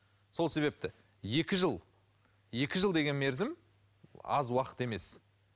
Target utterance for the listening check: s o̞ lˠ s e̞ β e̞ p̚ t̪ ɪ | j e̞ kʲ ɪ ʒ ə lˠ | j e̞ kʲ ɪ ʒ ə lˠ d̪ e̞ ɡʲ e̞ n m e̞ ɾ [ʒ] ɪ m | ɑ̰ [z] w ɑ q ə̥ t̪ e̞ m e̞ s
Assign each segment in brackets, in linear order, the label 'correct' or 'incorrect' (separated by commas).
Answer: incorrect, correct